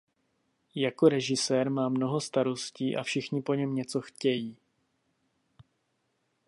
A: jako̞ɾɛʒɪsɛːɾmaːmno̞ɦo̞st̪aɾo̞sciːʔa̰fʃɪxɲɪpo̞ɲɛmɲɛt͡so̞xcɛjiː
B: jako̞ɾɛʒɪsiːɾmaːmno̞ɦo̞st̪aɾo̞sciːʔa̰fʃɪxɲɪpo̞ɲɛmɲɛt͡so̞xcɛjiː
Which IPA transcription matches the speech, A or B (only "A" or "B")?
A